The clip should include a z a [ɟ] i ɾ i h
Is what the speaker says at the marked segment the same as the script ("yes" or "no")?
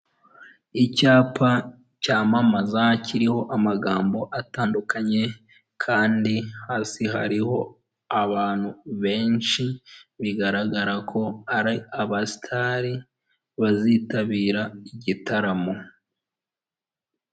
no